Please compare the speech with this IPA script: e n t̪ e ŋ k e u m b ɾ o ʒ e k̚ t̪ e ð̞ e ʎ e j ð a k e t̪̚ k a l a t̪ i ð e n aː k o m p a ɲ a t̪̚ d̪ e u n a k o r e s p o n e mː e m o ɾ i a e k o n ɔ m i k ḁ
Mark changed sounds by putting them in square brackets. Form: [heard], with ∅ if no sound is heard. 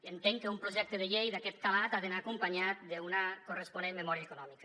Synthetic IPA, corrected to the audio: e n t̪ e ŋ k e u m [p] ɾ o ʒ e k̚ t̪ e ð̞ e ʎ e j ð a k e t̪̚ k a l a t̪ [a] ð e n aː k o m p a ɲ a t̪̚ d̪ e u n a k o r e s p o n e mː e m o ɾ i a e k o n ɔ m i k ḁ